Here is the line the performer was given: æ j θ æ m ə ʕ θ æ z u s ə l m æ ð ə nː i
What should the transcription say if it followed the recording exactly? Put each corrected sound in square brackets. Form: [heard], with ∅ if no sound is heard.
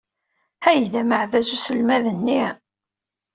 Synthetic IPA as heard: æ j [ð] æ m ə ʕ [ð] æ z u s ə l m æ ð ə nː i